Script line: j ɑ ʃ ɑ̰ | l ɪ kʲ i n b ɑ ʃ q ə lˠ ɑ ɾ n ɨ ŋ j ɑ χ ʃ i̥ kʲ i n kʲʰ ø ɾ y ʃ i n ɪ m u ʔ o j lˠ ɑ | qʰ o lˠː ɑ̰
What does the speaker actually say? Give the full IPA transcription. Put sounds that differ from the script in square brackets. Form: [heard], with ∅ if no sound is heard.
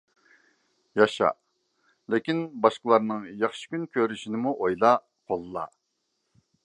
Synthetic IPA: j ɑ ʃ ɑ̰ | l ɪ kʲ i n b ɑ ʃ q ə lˠ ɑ ɾ n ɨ ŋ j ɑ χ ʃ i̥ kʲ [y] n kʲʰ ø ɾ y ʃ i n ɪ m u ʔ o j lˠ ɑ | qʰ o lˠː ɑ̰